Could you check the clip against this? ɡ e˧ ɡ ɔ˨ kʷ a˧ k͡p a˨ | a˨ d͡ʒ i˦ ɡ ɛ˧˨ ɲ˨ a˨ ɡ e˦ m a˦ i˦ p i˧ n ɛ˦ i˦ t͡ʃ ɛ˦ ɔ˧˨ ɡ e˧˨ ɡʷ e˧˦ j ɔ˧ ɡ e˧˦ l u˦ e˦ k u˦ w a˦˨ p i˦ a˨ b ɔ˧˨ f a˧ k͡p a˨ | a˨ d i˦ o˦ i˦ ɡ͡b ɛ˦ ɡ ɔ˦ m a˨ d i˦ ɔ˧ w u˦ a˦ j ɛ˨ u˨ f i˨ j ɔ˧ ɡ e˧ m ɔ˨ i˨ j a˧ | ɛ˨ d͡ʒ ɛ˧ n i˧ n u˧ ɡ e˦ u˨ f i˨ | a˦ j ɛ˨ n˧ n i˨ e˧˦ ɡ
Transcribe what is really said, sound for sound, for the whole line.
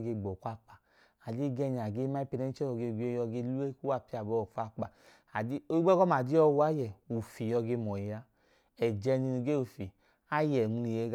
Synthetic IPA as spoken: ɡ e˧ ɡ͡b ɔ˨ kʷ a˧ k͡p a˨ | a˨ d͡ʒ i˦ ɡ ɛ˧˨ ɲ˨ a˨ ɡ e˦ m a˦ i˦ p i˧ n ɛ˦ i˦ t͡ʃ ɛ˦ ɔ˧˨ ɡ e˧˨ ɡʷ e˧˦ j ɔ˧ ɡ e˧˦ l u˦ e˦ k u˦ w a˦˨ p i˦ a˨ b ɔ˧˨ f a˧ k͡p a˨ | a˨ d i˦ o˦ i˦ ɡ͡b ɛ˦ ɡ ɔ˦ m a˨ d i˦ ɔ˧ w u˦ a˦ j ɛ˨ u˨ f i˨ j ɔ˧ ɡ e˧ m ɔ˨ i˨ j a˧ | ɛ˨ d͡ʒ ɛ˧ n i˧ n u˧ ɡ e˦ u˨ f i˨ | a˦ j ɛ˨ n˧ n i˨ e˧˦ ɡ